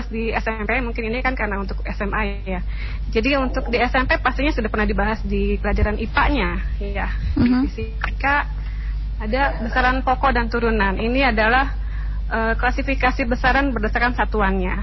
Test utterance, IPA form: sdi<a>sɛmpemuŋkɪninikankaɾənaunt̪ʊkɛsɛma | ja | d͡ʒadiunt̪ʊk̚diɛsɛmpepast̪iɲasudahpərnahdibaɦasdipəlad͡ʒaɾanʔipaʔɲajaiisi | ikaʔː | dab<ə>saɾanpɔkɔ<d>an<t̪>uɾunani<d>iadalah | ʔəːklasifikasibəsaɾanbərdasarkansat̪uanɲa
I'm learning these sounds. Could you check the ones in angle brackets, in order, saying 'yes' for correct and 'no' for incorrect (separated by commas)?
no, yes, yes, yes, no